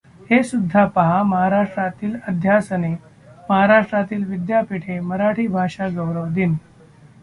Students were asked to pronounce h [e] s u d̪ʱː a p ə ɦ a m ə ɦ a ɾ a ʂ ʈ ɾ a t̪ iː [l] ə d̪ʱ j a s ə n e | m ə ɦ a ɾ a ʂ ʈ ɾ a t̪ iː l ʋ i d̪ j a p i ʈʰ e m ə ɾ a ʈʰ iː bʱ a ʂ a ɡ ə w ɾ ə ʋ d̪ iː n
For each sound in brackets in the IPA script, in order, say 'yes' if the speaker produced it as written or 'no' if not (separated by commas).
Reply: yes, yes